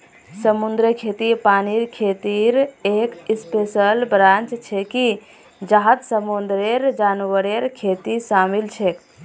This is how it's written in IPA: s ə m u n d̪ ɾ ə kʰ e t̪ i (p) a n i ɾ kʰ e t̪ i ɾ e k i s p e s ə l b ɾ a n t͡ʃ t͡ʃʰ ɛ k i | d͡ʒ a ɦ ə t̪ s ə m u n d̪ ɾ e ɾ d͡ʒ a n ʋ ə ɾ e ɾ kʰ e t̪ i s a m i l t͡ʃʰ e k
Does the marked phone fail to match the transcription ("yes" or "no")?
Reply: no